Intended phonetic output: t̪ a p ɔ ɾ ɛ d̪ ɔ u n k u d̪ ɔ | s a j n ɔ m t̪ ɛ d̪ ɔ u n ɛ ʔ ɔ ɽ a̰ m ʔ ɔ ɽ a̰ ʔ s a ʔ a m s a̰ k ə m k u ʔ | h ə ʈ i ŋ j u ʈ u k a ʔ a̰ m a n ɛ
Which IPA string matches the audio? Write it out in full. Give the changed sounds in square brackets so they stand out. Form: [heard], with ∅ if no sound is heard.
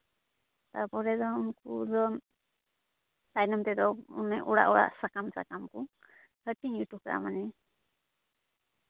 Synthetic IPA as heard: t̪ a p ɔ ɾ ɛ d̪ ɔ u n k u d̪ ɔ | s a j n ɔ m t̪ ɛ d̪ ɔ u n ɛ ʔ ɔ ɽ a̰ [∅] ʔ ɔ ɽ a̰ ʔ s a [k] a m s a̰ k [a] m k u [∅] | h ə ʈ i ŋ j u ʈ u k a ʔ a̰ m a n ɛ